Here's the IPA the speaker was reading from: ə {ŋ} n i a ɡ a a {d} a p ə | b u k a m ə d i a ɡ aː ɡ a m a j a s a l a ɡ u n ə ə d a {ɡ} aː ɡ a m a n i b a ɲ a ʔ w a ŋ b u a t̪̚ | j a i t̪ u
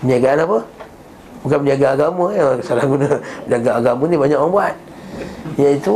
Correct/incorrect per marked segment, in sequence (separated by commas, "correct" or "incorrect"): incorrect, incorrect, correct